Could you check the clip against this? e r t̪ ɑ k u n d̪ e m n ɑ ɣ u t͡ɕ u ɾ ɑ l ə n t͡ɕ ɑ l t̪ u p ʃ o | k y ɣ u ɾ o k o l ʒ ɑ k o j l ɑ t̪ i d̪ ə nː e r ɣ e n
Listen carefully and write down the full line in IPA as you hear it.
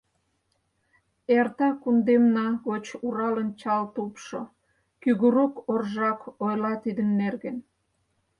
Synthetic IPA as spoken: e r t̪ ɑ k u n d̪ e m n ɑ ɣ o t͡ɕ u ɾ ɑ l ə n t͡ɕ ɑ l t̪ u p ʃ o | k y ɣ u ɾ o k o r ʒ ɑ k o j l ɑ t̪ i d̪ ə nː e r ɣ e n